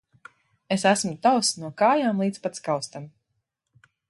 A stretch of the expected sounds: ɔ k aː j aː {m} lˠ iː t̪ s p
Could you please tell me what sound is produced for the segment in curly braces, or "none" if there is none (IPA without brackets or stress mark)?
m